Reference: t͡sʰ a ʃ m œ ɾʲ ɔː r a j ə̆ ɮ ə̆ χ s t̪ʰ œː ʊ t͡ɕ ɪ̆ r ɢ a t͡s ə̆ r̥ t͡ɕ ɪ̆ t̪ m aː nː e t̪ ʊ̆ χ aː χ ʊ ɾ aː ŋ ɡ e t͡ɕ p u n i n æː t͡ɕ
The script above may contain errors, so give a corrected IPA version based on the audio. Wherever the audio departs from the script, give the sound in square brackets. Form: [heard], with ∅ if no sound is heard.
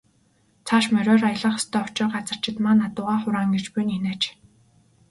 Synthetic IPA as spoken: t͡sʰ a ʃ m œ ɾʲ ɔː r a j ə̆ ɮ ə̆ χ s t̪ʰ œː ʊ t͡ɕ ɪ̆ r ɢ a t͡s ə̆ r̥ t͡ɕ ɪ̆ t̪ m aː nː [a] t̪ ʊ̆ [ʁ] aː χ ʊ ɾ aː ŋ ɡ e t͡ɕ p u n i n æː t͡ɕ